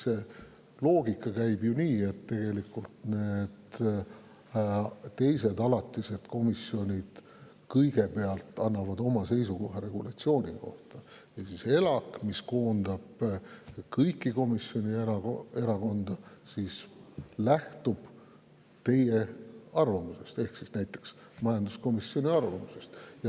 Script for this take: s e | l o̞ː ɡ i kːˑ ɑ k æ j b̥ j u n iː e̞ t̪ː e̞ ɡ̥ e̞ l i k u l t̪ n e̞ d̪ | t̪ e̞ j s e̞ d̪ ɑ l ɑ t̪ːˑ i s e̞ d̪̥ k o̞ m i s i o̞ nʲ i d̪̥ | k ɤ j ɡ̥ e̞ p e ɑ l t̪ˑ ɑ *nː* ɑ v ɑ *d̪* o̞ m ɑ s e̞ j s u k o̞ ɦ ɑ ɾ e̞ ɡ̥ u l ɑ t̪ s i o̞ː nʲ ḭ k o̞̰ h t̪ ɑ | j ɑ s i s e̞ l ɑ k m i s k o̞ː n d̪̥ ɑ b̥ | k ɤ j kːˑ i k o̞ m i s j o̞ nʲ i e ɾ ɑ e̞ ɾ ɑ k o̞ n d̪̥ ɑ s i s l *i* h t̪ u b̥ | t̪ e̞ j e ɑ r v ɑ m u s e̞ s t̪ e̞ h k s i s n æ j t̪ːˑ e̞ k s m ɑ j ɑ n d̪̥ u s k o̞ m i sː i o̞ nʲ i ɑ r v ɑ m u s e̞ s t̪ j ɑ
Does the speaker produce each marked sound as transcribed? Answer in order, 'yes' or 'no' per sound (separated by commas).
yes, yes, no